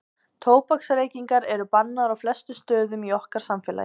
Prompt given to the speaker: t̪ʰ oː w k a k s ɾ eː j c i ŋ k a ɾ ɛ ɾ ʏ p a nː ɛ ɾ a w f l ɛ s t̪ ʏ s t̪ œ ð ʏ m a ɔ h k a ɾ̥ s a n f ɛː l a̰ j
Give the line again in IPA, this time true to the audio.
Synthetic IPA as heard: t̪ʰ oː w p a k s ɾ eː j c i ŋ k a ɾ ɛ ɾ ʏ p a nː a ɾ a w f l ɛ s t̪ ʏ s t̪ œː ð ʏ m i ɔ h k a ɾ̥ s a m f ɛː l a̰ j